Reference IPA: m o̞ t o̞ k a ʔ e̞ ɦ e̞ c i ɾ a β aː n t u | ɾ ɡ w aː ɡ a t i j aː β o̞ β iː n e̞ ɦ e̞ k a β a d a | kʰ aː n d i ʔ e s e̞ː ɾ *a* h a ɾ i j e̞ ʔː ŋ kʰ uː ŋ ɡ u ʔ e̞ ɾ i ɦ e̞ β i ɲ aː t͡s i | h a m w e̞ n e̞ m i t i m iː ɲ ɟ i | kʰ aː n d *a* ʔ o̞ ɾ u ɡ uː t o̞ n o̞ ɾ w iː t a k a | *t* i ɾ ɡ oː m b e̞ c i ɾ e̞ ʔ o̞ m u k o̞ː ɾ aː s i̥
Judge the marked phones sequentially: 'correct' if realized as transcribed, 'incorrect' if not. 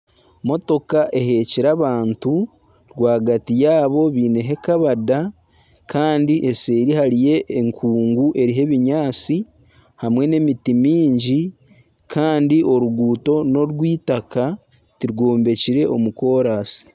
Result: incorrect, incorrect, correct

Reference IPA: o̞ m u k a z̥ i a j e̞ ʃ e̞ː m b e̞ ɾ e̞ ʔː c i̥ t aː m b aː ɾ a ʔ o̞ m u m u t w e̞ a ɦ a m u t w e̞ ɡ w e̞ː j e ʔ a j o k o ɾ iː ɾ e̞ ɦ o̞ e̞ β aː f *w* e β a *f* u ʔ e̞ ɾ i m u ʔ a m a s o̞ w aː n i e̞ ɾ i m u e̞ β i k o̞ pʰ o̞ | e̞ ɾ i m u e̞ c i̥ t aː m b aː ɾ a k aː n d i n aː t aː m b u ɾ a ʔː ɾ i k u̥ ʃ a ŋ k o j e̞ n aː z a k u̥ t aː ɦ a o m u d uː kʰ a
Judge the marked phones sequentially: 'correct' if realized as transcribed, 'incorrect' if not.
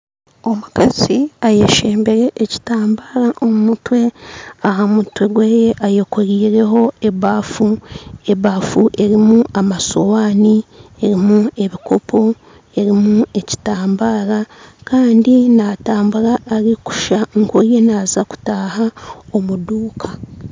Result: incorrect, correct

